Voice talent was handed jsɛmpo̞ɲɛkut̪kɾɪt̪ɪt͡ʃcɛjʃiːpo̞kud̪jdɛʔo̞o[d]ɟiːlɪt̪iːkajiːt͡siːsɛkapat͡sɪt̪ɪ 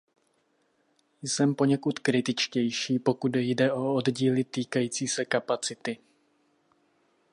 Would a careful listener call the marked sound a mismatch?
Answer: no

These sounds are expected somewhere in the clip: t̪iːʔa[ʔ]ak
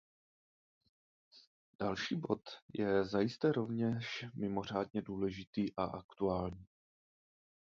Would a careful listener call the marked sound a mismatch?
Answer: no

